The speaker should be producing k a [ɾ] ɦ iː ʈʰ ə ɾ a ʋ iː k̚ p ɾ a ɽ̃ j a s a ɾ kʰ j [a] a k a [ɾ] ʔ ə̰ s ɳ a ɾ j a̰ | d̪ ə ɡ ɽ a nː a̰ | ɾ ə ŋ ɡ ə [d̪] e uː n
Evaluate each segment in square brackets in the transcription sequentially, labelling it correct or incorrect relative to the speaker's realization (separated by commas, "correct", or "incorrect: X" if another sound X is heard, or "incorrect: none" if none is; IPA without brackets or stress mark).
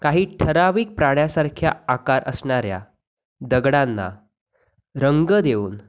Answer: incorrect: none, correct, correct, correct